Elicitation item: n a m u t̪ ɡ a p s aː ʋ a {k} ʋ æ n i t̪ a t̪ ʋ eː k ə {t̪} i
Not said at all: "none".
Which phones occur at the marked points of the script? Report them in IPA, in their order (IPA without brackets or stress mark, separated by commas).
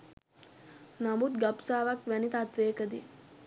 k, d̪